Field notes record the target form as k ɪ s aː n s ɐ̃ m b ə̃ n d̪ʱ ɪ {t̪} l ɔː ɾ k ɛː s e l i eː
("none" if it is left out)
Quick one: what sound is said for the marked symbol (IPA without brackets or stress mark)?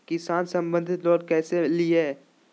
t̪